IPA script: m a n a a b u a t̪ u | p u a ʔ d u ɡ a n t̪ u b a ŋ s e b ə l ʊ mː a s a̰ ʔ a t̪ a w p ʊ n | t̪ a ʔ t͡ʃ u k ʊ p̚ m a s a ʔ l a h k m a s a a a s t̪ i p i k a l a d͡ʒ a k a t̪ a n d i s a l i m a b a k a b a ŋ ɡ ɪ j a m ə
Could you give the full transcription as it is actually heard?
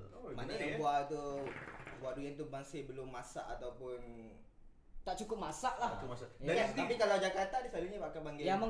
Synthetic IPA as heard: m a n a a b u a t̪ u | b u a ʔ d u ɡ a n t̪ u b a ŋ s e b ə l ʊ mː a s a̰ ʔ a t̪ a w p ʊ n | t̪ a ʔ t͡ʃ u k ʊ p̚ m a s a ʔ l a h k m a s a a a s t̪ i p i k a l a d͡ʒ a k a t̪ a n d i s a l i ɲ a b a k a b a ŋ ɡ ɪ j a m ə